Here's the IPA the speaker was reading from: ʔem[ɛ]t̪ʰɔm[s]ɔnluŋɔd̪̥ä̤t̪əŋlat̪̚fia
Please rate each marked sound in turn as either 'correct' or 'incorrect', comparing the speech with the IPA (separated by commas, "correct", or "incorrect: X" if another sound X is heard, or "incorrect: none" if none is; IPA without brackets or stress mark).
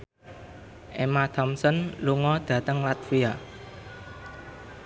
incorrect: a, correct